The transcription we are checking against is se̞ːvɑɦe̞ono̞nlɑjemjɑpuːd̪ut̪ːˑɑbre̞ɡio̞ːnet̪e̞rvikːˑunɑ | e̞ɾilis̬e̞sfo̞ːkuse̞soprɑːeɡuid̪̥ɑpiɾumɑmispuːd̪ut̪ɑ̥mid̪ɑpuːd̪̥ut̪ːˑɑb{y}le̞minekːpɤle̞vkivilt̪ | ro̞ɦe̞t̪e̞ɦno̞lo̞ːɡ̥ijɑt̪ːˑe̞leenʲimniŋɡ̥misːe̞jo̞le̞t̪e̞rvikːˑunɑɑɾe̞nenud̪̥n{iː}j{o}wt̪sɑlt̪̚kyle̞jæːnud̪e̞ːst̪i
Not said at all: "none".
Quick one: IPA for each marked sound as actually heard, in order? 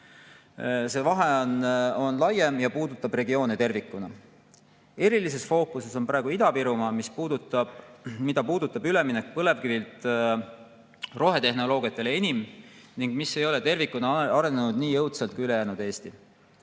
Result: y, iː, ɤ

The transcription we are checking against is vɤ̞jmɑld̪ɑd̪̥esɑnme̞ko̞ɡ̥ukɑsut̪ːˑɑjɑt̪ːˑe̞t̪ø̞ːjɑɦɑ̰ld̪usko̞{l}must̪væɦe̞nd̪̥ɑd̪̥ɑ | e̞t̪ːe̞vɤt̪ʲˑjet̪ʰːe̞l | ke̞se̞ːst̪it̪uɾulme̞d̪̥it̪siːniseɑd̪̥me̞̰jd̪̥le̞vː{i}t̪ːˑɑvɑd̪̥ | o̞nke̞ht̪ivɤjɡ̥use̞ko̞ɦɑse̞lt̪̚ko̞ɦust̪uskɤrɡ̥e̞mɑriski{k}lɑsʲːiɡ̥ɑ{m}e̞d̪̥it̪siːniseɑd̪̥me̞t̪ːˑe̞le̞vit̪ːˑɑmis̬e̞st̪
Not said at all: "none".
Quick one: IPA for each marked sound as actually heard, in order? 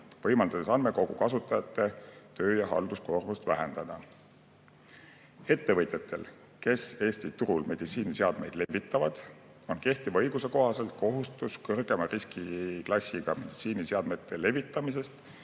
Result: r, i, k, m

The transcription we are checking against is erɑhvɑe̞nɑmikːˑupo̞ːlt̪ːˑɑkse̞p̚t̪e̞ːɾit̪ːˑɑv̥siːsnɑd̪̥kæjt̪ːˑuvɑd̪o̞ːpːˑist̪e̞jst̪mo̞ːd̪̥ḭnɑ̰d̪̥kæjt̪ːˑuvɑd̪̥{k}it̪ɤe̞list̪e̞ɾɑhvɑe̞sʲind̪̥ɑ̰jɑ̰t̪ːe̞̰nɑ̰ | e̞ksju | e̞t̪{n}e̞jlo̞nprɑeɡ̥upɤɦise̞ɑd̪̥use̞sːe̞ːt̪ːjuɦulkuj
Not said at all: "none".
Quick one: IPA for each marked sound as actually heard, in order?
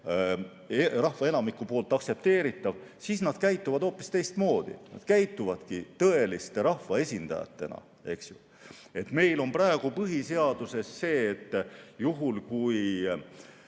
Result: k, m

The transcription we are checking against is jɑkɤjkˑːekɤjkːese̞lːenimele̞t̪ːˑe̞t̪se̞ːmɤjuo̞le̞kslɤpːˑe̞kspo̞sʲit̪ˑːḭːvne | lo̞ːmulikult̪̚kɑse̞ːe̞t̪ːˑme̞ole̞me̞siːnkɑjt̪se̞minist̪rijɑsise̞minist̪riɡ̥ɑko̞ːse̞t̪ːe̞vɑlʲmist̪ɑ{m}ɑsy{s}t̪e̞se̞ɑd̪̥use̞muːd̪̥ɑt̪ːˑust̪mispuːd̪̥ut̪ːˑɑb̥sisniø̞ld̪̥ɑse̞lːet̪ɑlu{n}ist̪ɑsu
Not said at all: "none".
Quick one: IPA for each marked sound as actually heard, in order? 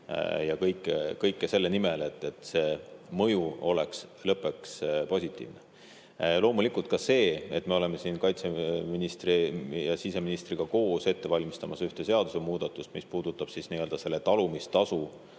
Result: m, h, m

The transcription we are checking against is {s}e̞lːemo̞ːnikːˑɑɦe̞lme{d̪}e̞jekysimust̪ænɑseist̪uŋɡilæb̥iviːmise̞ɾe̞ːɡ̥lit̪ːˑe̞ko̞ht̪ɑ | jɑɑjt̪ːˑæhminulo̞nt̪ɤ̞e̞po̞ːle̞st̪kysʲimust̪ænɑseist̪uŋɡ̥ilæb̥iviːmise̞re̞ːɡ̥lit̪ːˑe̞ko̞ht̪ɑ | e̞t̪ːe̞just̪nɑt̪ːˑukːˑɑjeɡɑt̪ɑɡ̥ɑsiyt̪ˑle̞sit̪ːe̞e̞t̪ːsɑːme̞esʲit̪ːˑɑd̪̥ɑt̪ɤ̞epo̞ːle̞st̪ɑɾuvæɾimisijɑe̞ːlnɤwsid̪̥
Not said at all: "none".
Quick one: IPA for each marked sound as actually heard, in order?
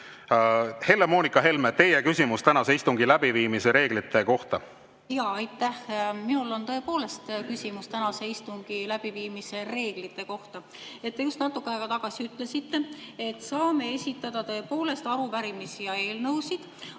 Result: h, t̪

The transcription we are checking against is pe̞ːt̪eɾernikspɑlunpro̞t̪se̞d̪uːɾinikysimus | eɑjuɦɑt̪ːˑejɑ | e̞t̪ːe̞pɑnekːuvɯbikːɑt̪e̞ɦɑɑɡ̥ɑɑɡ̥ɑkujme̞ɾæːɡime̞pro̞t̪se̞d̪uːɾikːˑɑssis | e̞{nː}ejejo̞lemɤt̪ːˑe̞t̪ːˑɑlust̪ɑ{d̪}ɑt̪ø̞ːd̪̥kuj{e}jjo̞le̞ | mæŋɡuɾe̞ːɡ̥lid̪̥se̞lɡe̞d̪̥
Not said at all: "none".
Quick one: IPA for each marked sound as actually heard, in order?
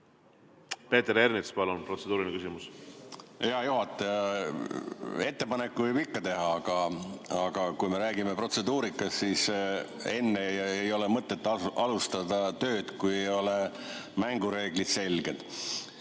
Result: nː, d̪, e

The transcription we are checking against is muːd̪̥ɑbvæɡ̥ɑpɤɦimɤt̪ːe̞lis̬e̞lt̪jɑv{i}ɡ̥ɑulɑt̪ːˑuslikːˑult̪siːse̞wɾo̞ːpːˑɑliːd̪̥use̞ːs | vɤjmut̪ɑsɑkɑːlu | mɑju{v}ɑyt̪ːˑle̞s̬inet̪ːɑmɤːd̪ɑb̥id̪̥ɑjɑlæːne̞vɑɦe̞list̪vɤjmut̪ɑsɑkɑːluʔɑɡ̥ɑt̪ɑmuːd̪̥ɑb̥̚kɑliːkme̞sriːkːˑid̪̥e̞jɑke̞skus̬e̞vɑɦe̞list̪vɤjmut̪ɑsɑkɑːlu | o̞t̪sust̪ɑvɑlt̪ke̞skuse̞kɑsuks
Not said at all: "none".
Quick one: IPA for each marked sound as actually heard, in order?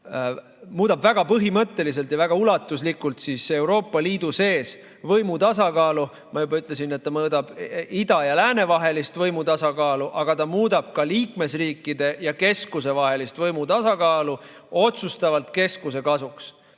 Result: æ, b

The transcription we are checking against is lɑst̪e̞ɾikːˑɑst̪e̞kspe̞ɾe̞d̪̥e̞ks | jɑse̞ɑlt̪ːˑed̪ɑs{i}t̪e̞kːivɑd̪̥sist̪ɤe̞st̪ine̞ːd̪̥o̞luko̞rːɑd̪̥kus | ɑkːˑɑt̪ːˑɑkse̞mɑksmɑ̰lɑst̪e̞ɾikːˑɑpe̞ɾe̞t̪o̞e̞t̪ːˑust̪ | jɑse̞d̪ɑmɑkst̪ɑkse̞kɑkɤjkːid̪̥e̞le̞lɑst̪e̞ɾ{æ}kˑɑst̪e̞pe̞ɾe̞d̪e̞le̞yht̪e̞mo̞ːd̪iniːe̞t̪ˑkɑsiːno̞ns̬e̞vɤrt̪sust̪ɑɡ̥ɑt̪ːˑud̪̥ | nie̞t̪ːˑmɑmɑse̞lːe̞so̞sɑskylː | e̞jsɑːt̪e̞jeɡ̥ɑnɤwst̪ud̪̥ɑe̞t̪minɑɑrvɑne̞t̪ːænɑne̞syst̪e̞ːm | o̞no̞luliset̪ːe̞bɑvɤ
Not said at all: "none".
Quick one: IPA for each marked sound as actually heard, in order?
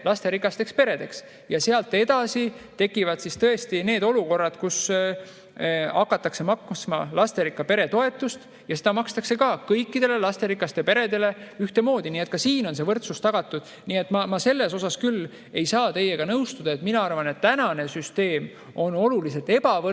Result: i, i

